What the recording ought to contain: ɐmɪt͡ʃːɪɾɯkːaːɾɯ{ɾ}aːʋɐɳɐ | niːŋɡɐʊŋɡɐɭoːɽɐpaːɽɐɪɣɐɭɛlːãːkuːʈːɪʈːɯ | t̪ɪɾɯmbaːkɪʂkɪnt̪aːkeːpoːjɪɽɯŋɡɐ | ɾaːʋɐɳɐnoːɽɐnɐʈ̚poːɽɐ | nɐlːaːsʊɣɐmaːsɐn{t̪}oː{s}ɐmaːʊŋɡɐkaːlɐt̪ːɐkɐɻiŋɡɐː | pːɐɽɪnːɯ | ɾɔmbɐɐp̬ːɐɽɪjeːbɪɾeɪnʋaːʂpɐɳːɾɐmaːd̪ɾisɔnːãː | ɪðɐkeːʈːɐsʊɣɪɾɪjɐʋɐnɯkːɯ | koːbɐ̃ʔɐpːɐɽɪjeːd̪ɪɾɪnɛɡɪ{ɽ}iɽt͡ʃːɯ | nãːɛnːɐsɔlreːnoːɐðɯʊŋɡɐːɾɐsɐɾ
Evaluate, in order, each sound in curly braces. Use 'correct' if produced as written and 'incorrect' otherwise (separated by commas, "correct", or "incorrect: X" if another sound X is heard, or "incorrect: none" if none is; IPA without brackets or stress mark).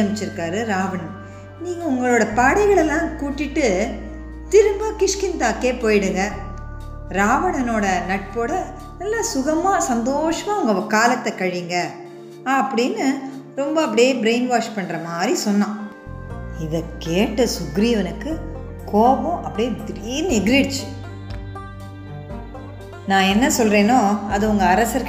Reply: correct, incorrect: d̪, incorrect: ʂ, incorrect: ɾ